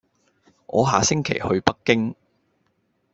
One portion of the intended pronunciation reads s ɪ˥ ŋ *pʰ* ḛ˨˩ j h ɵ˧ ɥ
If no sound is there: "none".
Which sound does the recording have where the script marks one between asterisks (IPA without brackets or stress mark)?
kʰ